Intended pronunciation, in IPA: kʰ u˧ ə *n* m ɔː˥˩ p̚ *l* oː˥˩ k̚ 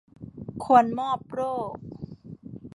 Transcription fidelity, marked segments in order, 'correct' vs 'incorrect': correct, incorrect

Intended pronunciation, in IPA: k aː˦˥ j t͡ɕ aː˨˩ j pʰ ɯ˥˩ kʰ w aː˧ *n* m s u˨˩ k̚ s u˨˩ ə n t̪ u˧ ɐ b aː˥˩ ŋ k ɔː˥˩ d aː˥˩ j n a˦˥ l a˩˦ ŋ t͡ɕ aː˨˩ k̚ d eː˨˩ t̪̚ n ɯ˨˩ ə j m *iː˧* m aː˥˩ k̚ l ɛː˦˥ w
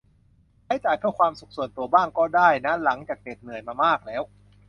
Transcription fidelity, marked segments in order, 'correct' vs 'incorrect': incorrect, incorrect

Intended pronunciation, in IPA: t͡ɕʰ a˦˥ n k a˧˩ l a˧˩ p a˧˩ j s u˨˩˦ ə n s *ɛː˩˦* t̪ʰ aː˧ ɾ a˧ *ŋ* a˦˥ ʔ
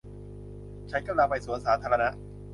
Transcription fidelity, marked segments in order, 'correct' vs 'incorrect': incorrect, incorrect

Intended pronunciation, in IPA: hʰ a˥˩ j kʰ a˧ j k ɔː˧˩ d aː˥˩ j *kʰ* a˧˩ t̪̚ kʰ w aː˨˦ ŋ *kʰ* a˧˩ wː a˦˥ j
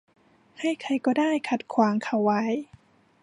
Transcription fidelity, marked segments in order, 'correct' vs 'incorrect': correct, correct

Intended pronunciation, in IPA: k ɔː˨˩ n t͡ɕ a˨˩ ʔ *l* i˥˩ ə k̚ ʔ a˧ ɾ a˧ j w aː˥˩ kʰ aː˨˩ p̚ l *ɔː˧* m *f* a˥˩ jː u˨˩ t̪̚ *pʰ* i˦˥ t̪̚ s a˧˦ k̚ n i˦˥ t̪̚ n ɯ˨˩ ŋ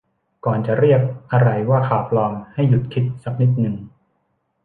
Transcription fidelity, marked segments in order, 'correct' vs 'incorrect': incorrect, correct, incorrect, incorrect

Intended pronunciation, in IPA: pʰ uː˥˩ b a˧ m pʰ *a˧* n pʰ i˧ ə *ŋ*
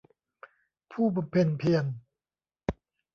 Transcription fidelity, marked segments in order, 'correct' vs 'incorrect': incorrect, incorrect

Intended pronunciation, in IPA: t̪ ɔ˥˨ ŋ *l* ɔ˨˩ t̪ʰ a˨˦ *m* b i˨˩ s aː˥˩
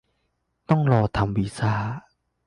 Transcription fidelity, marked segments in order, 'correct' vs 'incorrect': correct, correct

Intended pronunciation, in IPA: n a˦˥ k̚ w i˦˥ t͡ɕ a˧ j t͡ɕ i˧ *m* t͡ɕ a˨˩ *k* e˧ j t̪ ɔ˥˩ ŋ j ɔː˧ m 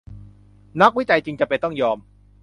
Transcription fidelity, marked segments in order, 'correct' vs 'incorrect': incorrect, incorrect

